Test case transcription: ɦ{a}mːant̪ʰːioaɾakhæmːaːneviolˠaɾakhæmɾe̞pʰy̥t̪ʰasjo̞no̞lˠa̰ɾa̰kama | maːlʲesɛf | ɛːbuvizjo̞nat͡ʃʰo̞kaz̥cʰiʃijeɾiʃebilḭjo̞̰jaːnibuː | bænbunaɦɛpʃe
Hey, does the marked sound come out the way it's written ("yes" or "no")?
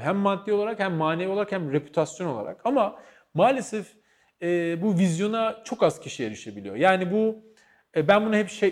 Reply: no